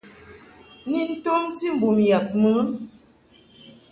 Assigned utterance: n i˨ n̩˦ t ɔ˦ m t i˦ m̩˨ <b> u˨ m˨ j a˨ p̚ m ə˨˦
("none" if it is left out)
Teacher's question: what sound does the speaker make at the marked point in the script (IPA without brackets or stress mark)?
b